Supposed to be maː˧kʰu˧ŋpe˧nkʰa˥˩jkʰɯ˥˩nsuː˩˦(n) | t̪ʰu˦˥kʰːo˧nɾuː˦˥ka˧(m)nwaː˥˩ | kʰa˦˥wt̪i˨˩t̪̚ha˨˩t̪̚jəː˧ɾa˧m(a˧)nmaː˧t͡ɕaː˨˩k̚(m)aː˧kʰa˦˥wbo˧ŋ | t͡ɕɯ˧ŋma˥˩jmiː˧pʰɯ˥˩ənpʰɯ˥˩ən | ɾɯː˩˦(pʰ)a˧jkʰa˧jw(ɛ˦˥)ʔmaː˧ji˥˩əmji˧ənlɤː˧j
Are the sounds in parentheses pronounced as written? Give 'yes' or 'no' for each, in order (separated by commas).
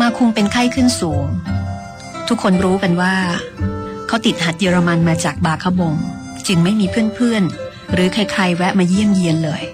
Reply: no, no, yes, no, no, yes